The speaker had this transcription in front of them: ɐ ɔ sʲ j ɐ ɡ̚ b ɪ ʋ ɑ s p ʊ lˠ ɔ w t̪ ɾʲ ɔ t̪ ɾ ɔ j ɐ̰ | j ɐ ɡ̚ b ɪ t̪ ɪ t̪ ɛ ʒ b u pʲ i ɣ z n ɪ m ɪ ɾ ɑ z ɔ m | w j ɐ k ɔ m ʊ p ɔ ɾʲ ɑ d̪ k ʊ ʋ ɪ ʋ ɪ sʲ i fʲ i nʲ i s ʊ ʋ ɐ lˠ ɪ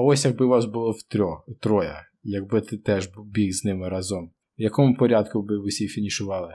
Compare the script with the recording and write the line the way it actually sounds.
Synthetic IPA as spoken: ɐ ɔ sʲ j ɐ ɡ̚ b ɪ ʋ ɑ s b ʊ lˠ ɔ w t̪ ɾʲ ɔ t̪ ɾ ɔ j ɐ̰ | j ɐ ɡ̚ b ɪ t̪ ɪ t̪ ɛ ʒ b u bʲ i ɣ z n ɪ m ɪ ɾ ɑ z ɔ m | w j ɐ k ɔ m ʊ p ɔ ɾʲ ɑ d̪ k ʊ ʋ ɪ ʋ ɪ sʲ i fʲ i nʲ i ʃ ʊ ʋ ɑ lˠ ɪ